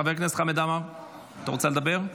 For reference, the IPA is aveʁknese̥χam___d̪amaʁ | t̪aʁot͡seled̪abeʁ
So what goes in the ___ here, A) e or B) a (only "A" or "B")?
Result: A